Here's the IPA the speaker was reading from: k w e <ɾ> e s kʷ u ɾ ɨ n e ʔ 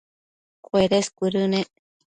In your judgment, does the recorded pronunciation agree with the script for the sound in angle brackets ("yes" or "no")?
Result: yes